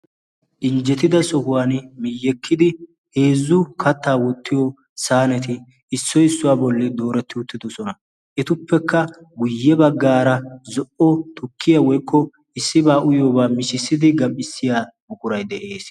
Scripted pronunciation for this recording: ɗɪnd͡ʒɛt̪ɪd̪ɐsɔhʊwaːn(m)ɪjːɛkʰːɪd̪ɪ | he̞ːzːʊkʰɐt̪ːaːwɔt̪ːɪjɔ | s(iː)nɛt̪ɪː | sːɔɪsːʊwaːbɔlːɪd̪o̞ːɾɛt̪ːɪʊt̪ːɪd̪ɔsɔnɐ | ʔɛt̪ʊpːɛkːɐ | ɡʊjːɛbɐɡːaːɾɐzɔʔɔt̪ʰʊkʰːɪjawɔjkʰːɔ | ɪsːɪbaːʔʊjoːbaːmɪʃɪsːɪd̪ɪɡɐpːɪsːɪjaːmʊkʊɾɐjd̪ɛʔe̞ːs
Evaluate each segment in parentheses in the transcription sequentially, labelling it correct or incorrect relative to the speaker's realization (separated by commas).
correct, incorrect